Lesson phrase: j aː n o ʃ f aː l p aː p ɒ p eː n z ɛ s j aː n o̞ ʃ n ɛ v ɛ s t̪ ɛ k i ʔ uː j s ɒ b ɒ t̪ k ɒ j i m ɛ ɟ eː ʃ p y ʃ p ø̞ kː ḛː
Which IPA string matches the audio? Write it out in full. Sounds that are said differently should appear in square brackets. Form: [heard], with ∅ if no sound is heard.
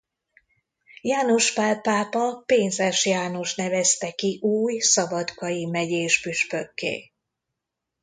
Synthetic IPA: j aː n o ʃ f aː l p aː p ɒ p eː n z ɛ [ʃ] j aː n o̞ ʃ n ɛ v ɛ s t̪ ɛ k i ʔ uː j s ɒ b ɒ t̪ k ɒ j i m ɛ ɟ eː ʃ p y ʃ p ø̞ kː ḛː